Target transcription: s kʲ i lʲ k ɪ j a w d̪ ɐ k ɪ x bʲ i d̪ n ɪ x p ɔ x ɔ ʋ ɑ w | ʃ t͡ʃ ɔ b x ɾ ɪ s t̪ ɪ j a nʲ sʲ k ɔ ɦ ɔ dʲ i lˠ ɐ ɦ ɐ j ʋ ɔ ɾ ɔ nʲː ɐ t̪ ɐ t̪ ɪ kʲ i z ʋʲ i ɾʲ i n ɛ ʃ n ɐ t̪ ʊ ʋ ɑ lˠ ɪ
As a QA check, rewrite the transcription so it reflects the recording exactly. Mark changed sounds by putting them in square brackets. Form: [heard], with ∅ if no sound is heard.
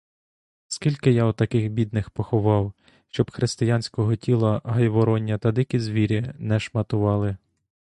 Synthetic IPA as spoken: s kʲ i lʲ k ɪ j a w [t̪] ɐ k ɪ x bʲ i d̪ n ɪ x p ɔ x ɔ ʋ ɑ w | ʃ t͡ʃ ɔ b x ɾ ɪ s t̪ ɪ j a nʲ sʲ k ɔ ɦ ɔ [tʲ] i lˠ ɐ ɦ ɐ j ʋ ɔ ɾ ɔ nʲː ɐ t̪ ɐ [d̪] ɪ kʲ i z ʋʲ i ɾʲ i n ɛ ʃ [m] ɐ t̪ ʊ ʋ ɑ lˠ ɪ